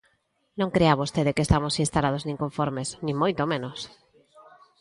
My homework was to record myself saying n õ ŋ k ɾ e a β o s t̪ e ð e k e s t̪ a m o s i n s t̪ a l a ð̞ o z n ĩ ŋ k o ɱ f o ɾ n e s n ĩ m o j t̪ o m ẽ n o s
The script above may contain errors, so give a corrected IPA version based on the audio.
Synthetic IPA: n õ ŋ k ɾ e a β o s t̪ e ð e k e s t̪ a m o s i n s t̪ a l a ð̞ o z n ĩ ŋ k o ɱ f o ɾ m e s n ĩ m o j t̪ o m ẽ n o s